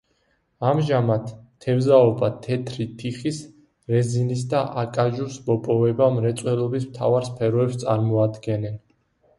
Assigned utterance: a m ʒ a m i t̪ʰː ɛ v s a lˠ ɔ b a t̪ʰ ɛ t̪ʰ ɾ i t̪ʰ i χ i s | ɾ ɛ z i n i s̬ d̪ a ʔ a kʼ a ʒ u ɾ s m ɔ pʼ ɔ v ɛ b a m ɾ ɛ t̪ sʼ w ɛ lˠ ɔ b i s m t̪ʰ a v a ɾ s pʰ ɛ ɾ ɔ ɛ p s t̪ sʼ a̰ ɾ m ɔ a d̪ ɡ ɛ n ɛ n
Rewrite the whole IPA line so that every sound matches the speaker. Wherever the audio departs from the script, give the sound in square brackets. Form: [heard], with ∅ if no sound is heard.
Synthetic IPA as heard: a m ʒ a m [a] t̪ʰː ɛ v [z] a [∅] ɔ b a t̪ʰ ɛ t̪ʰ ɾ i t̪ʰ i χ i s | ɾ ɛ z i n i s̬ d̪ a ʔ a kʼ a ʒ u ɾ s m ɔ pʼ ɔ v ɛ b a m ɾ ɛ t̪ sʼ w ɛ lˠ ɔ b i s m t̪ʰ a v a ɾ s pʰ ɛ ɾ ɔ ɛ p s t̪ sʼ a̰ ɾ m ɔ a d̪ ɡ ɛ n ɛ n

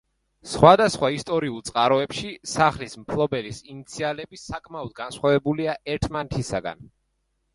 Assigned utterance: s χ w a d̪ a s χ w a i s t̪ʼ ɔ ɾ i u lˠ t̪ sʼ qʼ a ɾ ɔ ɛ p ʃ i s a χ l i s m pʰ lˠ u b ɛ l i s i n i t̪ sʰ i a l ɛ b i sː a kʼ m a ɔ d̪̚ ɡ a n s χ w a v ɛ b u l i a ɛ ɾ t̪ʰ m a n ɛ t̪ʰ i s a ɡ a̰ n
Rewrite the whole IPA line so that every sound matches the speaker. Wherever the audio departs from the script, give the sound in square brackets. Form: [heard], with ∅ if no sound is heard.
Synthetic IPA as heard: s χ w a d̪ a s χ w a i s t̪ʼ ɔ ɾ i u lˠ t̪ sʼ qʼ a ɾ ɔ ɛ p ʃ i s a χ l i s m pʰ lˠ [ɔ] b ɛ l i s i n i t̪ sʰ i a l ɛ b i [s] a kʼ m a ɔ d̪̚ ɡ a n s χ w a v ɛ b u l i a ɛ ɾ t̪ʰ m a n ɛ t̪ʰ i s a ɡ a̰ n

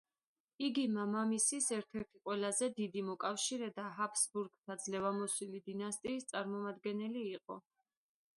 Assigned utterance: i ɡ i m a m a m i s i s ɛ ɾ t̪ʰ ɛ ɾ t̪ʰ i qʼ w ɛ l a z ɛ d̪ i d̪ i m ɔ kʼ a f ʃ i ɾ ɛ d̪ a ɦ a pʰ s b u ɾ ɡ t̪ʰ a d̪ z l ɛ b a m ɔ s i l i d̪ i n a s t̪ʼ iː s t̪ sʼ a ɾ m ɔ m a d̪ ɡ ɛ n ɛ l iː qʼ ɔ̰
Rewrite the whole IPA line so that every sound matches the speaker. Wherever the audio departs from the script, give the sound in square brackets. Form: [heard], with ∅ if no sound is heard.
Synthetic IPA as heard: i ɡ i m a m a m i s i s ɛ ɾ t̪ʰ ɛ ɾ t̪ʰ i qʼ w ɛ l a z ɛ d̪ i d̪ i m ɔ kʼ a f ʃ i ɾ ɛ d̪ a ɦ a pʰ s b u ɾ ɡ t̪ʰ a d̪ z l ɛ [v] a m ɔ s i l i d̪ i n a s t̪ʼ iː s t̪ sʼ a ɾ m ɔ m a d̪ ɡ ɛ n ɛ l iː qʼ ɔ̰

